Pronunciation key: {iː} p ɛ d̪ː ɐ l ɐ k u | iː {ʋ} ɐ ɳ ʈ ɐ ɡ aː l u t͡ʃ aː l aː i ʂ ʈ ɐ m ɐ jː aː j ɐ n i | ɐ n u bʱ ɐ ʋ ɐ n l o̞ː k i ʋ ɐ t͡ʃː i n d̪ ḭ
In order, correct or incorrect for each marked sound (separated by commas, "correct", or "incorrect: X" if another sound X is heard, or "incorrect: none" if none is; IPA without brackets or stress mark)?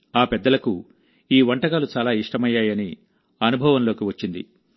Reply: incorrect: aː, correct